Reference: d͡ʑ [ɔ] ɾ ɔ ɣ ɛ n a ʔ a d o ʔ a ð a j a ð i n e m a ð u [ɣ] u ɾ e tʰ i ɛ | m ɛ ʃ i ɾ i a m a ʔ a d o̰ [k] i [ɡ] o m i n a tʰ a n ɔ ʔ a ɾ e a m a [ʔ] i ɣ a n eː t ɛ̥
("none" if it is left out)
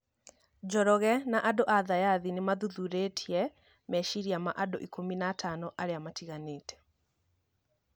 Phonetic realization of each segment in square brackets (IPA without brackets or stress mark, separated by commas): ɔ, ð, ʔ, k, t